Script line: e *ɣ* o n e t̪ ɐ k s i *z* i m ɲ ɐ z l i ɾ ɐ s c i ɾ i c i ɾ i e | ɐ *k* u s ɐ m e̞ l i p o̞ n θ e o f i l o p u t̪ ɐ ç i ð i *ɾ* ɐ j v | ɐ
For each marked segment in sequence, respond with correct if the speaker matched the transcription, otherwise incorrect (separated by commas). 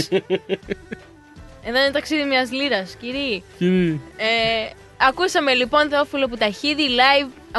incorrect, incorrect, correct, incorrect